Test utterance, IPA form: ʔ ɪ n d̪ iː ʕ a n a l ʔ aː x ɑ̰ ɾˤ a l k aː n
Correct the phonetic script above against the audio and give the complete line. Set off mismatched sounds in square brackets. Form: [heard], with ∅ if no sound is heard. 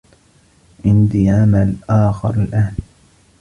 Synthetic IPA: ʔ ɪ n d̪ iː ʕ a [m] a l ʔ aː x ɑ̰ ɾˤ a l [ʔ] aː n